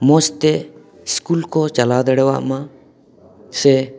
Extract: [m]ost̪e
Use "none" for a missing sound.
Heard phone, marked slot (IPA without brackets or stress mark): m